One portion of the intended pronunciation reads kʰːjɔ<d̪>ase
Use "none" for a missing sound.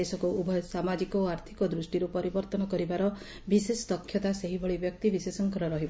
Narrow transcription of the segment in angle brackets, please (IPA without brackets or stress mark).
t̪